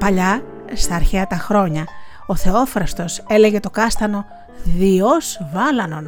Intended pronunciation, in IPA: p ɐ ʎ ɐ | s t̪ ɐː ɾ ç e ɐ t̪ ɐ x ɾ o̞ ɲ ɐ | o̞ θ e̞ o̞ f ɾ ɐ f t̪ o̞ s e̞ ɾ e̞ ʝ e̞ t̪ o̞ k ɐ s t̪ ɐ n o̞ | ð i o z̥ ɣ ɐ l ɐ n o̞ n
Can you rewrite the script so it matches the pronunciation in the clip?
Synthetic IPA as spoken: p ɐ ʎ ɐ | s t̪ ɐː ɾ ç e ɐ t̪ ɐ x ɾ o̞ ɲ ɐ | o̞ θ e̞ o̞ f ɾ ɐ s t̪ o̞ s e̞ l e̞ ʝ e̞ t̪ o̞ k ɐ s t̪ ɐ n o̞ | ð i o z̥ v ɐ l ɐ n o̞ n